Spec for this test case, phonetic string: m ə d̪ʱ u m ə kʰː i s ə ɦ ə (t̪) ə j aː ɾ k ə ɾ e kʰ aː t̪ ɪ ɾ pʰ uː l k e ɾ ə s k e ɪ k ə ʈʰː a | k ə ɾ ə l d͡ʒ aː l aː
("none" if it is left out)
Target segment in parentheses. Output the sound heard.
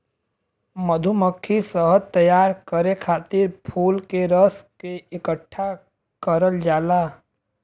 t̪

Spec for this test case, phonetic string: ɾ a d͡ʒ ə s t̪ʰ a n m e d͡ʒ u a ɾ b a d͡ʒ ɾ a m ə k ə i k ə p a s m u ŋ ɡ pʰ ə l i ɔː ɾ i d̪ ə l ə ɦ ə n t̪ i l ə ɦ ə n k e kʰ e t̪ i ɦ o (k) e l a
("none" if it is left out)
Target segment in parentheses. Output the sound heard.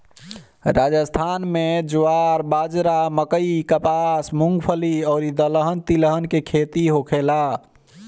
kʰ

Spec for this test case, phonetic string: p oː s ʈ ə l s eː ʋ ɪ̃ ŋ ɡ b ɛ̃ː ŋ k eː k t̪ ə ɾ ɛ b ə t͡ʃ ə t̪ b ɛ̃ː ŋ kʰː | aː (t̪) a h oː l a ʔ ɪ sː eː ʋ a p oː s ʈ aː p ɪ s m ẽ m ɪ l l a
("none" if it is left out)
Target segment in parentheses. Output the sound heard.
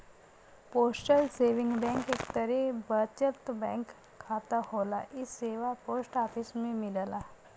t̪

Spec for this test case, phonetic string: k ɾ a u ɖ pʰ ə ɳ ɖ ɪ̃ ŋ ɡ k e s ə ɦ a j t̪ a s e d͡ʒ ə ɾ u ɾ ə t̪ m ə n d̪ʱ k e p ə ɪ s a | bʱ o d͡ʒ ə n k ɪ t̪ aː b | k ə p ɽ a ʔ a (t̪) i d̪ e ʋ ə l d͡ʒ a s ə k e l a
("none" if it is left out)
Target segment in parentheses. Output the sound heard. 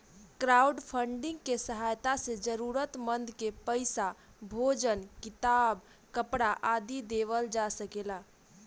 d̪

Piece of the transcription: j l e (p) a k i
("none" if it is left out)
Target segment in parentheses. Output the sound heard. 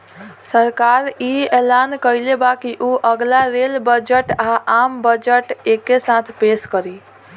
b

